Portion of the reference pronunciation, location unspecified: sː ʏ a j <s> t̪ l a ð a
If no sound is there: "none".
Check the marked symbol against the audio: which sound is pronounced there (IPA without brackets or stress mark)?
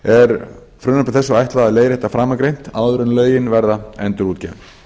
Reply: h